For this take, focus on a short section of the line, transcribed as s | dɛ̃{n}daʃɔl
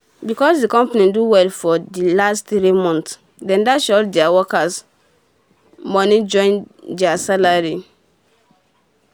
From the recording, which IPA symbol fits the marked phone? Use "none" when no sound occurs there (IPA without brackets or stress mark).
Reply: n